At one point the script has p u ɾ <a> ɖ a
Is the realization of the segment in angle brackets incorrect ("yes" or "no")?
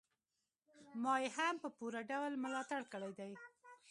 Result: no